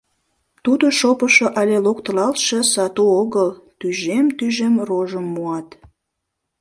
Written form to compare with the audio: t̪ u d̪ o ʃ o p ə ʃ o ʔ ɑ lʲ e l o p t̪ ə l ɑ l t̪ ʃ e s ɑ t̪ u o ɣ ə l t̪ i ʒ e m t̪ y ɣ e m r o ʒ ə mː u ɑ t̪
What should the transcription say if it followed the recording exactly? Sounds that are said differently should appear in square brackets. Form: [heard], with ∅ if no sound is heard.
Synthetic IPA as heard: t̪ u d̪ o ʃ o p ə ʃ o ʔ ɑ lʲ e l o [k] t̪ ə l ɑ l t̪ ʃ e s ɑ t̪ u o ɣ ə l t̪ [y] ʒ e m t̪ y [ʒ] e m r o ʒ ə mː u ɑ t̪